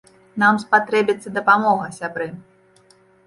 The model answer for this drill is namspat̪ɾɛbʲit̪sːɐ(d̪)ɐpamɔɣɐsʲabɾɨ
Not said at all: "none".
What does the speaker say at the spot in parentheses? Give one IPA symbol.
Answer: d̪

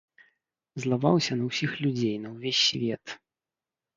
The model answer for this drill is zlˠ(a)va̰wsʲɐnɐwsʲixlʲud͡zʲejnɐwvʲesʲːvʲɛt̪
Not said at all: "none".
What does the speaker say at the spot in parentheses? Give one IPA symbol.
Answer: a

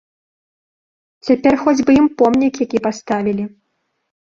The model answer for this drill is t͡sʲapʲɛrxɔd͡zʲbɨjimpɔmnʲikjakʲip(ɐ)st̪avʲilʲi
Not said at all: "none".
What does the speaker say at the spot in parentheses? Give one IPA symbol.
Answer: a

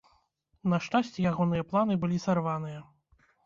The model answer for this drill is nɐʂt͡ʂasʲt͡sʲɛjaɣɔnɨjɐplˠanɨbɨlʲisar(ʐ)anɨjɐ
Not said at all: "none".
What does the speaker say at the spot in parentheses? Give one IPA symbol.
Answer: v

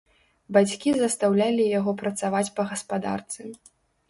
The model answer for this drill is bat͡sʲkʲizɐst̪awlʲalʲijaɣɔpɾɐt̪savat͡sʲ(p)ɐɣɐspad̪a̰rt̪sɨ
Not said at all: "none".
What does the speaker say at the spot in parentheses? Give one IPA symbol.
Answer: p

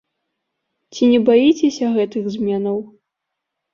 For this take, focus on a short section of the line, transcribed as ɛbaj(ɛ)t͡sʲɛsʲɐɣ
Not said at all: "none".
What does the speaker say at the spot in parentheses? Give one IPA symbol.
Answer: i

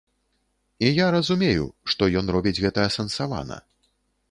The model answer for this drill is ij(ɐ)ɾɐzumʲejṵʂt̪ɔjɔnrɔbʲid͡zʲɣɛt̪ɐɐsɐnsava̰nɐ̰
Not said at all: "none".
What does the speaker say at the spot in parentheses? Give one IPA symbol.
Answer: a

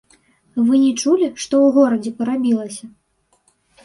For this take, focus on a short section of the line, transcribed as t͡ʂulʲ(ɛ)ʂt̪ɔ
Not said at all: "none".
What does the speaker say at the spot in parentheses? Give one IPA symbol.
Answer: i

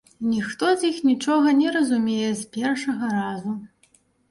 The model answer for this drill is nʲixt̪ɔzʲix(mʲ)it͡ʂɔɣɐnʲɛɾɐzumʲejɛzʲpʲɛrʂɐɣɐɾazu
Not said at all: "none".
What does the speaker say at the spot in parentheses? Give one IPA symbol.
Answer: nʲ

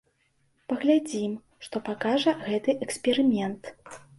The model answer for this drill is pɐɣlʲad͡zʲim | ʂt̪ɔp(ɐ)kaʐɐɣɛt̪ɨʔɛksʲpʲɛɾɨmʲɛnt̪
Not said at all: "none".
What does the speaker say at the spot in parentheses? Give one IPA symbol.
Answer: a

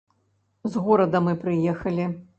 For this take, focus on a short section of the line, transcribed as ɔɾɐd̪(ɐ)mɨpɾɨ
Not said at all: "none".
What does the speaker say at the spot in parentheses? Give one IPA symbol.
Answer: ɐ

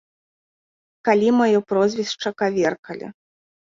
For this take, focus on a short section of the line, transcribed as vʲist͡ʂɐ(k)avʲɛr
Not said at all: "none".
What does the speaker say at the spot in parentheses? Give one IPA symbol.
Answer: k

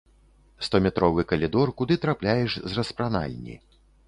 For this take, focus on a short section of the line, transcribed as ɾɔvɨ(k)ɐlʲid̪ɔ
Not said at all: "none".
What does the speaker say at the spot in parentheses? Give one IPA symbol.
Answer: k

